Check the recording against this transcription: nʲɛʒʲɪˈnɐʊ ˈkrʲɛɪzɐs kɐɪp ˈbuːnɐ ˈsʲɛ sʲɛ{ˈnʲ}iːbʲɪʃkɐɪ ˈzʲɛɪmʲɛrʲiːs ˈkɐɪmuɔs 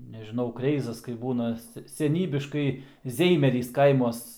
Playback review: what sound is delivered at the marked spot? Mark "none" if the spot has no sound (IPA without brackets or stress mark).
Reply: nʲ